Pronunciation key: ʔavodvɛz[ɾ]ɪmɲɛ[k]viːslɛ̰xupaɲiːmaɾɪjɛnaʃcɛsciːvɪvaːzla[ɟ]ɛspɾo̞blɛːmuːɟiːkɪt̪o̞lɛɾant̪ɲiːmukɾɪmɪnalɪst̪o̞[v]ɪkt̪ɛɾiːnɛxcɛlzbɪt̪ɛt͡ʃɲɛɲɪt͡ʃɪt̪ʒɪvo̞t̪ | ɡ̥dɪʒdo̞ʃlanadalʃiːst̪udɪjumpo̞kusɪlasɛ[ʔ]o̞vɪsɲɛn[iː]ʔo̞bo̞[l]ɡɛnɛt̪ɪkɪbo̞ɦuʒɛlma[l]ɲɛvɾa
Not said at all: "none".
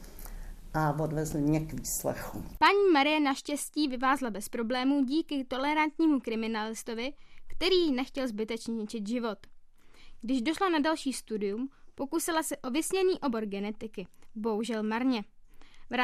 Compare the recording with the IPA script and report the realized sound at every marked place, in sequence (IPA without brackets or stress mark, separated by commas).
l, k, b, v, ʔ, iː, ɾ, ɾ